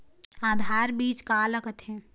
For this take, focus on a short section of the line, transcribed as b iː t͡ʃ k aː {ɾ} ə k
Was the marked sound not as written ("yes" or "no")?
yes